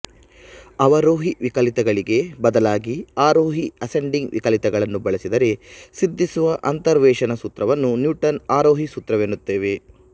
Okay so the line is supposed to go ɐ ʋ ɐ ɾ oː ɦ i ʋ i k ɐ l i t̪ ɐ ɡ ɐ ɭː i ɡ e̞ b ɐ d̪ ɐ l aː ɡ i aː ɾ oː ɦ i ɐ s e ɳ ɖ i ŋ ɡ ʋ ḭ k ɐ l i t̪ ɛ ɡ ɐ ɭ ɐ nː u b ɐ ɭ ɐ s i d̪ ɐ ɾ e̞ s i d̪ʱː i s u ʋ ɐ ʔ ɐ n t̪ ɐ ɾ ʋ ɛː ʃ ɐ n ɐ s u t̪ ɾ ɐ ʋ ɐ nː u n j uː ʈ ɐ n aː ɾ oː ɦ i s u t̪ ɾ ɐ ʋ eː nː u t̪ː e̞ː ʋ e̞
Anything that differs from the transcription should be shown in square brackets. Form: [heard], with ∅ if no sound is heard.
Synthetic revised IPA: ɐ ʋ ɐ ɾ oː ɦ i ʋ i k ɐ l i t̪ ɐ ɡ ɐ [ɭ] i ɡ e̞ b ɐ d̪ ɐ l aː ɡ i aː ɾ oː ɦ i ɐ s e ɳ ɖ i ŋ ɡ ʋ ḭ k ɐ l i t̪ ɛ ɡ ɐ ɭ ɐ nː u b ɐ ɭ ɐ s i d̪ ɐ ɾ e̞ s i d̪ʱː i s u ʋ ɐ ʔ ɐ n t̪ ɐ ɾ ʋ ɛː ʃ ɐ n ɐ s u t̪ ɾ ɐ ʋ ɐ nː u n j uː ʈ ɐ n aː ɾ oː ɦ i s u t̪ ɾ ɐ ʋ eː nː u t̪ː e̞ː ʋ e̞